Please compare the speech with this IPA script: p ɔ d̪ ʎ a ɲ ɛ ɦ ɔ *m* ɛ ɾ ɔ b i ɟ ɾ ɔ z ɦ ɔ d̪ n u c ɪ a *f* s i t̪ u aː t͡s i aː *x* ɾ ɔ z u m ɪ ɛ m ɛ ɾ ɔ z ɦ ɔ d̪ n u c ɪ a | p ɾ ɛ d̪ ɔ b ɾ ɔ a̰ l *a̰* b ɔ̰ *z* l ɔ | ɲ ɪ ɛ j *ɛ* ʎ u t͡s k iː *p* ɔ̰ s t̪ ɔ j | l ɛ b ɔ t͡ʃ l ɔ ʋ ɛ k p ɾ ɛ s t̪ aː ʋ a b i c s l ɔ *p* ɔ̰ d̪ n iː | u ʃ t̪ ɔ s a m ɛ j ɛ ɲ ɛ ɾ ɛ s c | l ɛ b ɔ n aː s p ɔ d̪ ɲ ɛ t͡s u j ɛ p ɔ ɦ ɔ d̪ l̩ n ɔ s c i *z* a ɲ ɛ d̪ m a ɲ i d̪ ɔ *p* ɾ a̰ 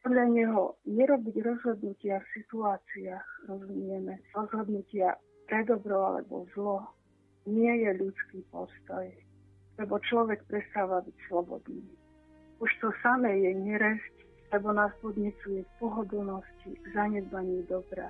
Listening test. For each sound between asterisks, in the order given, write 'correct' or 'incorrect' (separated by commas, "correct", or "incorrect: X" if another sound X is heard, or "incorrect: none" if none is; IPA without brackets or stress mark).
incorrect: ɲ, correct, correct, incorrect: ɛ̰, correct, correct, correct, incorrect: b, correct, incorrect: b